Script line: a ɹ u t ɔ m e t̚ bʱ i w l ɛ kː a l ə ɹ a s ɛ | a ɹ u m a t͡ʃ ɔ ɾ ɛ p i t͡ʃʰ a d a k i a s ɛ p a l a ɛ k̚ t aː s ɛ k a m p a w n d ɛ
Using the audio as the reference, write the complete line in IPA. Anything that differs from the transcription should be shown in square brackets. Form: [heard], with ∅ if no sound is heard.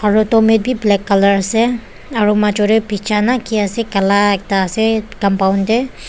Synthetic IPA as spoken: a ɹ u t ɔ m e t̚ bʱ i [b] l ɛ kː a l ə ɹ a s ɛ | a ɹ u m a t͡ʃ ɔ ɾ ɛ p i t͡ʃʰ a [n] a k i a s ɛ [k] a l a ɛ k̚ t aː s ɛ k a m p a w n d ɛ